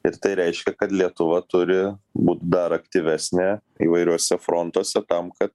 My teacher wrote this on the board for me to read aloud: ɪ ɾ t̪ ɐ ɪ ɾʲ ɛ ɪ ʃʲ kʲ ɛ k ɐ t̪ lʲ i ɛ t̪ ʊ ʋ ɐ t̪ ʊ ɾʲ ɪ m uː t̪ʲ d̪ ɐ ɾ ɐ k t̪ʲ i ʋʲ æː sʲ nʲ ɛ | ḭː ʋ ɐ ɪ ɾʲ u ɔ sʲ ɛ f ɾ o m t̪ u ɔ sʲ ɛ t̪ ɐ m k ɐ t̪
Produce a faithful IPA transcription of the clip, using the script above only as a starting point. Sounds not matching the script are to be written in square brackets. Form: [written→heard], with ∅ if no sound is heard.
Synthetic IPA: ɪ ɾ t̪ ɐ ɪ ɾʲ ɛ ɪ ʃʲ kʲ ɛ k ɐ t̪ lʲ i ɛ t̪ ʊ ʋ ɐ t̪ ʊ ɾʲ ɪ [m→b] uː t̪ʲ d̪ ɐ ɾ ɐ k t̪ʲ i ʋʲ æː sʲ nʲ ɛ | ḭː ʋ ɐ ɪ ɾʲ u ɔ sʲ ɛ f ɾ o [m→n] t̪ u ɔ sʲ ɛ t̪ ɐ m k ɐ t̪